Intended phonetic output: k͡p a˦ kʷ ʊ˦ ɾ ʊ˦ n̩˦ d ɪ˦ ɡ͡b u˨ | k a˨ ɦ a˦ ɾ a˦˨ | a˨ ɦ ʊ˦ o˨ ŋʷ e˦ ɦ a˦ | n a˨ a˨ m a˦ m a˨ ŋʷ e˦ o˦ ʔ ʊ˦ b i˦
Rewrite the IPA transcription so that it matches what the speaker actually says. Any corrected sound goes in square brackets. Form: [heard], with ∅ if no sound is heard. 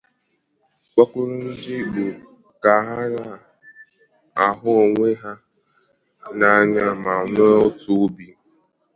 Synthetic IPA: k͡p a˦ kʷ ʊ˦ ɾ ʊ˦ n̩˦ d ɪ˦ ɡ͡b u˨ | k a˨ ɦ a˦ ɾ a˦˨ | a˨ ɦ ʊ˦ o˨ ŋʷ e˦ ɦ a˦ | n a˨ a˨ [ɲ] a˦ m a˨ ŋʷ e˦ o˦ [t] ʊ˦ b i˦